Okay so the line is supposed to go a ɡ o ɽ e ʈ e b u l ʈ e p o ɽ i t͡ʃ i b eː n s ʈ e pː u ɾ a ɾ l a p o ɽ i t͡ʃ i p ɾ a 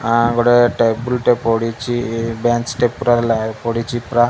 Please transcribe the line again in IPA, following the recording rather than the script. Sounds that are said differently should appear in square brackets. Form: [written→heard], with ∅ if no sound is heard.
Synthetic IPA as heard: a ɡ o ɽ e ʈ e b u l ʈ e p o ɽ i t͡ʃ i b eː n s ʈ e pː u ɾ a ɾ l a p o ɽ i t͡ʃ i p ɾ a